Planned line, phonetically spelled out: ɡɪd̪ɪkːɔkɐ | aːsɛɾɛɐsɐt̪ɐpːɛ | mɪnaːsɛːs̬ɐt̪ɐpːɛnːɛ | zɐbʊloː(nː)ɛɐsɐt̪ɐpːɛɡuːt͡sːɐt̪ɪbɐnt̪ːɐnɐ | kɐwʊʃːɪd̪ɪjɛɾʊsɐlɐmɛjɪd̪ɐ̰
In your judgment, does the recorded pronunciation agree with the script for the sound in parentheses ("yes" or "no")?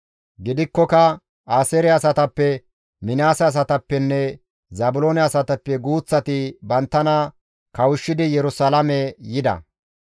no